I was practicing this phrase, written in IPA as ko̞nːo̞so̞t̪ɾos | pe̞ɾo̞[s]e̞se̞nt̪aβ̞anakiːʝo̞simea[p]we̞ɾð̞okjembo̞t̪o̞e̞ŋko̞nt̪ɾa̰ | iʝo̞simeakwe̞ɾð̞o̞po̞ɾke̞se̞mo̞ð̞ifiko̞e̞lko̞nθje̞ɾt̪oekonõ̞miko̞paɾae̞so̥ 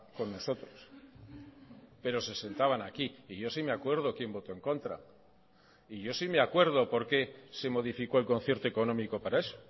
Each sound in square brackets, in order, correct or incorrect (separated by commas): correct, incorrect